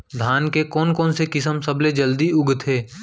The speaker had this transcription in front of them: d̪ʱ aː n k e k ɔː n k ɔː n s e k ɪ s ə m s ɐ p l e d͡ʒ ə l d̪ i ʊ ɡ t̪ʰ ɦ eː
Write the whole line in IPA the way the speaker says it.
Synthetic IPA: d̪ʱ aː n k e k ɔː n k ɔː n s e k ɪ s ə m s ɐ b l e d͡ʒ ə l d̪ i ʊ ɡ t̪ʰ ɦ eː